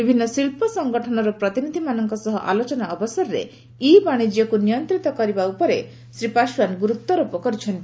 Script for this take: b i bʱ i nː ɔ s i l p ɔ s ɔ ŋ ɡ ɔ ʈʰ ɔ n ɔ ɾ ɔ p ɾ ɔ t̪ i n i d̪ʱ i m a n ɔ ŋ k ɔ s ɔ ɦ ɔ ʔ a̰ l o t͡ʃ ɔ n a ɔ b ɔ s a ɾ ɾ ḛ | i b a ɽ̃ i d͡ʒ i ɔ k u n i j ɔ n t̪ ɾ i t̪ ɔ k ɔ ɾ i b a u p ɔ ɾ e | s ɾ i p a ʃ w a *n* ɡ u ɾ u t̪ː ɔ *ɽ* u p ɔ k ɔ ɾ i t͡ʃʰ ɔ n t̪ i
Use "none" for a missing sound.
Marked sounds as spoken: n, ɾ

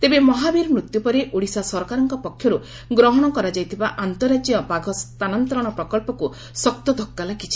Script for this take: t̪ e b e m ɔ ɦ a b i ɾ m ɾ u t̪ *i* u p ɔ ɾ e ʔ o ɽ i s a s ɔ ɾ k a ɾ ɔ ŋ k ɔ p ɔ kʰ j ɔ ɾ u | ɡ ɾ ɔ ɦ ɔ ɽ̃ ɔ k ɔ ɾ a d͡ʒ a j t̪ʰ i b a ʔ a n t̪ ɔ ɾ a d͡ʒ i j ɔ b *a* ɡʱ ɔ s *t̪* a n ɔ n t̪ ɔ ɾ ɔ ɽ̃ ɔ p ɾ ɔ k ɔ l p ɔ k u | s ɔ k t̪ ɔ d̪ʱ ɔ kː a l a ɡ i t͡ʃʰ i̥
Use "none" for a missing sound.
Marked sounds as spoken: j, a, t̪

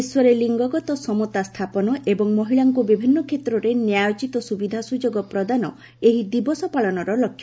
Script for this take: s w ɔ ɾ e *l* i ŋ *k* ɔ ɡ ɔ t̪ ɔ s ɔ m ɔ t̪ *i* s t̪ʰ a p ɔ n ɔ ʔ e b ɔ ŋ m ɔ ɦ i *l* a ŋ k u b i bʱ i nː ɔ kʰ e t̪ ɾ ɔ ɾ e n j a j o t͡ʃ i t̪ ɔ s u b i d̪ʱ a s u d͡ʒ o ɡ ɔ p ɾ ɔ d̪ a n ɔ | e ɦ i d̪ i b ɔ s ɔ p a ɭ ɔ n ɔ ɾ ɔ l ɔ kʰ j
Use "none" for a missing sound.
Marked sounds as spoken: l, ɡ, a, ɭ

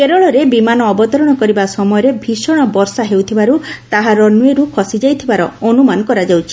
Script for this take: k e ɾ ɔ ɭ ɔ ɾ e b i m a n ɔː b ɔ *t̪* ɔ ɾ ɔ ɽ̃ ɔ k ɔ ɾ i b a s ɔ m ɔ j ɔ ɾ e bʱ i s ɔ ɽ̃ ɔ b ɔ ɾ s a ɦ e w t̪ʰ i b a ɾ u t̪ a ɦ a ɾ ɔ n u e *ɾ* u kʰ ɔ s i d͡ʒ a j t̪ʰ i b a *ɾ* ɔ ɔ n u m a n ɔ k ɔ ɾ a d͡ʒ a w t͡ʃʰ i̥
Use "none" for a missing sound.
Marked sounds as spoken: t̪, ɾ, ɾ

